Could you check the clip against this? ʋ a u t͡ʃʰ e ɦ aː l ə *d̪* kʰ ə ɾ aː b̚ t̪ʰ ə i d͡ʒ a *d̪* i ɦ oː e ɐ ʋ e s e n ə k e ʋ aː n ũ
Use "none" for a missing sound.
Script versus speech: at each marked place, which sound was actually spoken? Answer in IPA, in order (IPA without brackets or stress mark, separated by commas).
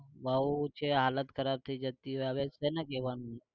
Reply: t̪, t̪